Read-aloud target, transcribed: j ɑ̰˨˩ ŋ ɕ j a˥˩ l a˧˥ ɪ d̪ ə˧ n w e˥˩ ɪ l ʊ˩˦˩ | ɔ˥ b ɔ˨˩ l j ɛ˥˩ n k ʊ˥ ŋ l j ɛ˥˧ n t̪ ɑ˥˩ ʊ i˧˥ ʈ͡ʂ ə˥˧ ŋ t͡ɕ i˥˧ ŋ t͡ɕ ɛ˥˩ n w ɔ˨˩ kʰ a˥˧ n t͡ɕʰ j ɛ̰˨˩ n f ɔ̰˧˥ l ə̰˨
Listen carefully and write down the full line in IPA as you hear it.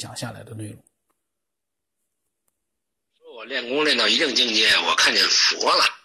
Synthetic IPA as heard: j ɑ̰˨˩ ŋ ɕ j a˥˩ l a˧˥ ɪ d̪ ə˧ n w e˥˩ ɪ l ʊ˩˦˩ | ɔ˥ w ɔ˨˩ l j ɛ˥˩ n k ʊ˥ ŋ l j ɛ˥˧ n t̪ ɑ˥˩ ʊ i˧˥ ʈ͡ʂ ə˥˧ ŋ t͡ɕ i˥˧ ŋ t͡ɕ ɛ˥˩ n w ɔ˨˩ kʰ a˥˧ n t͡ɕ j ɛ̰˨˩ n f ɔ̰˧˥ l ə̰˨